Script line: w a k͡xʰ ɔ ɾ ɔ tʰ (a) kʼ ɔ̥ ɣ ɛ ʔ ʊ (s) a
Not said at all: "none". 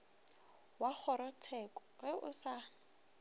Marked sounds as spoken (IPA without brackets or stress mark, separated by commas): ɛ, s